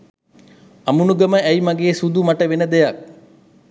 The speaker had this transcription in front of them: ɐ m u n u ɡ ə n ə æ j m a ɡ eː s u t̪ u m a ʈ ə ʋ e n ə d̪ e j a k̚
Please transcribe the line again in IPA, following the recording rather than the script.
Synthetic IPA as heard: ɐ m u n u ɡ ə m ə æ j m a ɡ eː s u d̪ u m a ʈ ə ʋ e n ə d̪ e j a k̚